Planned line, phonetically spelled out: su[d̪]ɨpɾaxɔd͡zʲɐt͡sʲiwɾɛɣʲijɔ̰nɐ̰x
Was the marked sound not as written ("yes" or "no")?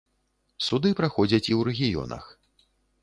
no